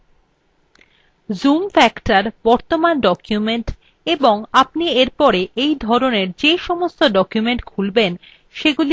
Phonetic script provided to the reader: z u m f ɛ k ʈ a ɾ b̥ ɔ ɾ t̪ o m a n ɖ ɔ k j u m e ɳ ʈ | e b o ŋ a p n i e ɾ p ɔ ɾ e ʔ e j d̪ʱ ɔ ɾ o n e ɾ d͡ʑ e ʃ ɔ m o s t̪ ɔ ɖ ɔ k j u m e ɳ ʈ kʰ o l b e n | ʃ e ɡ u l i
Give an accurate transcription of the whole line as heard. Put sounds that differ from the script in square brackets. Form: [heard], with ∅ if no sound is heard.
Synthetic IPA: z u m f ɛ k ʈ a ɾ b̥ ɔ ɾ t̪ o m a n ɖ ɔ k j u m e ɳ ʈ | e b o ŋ a p n i e ɾ p ɔ ɾ e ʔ e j d̪ʱ ɔ ɾ o n e ɾ d͡ʑ e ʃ ɔ m o s t̪ [o] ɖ ɔ k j u m e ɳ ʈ kʰ [u] l b e n | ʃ e ɡ u l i